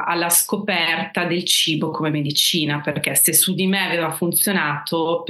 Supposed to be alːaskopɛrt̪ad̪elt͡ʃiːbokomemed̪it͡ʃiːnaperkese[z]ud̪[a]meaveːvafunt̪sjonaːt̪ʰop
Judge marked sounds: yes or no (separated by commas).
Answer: no, no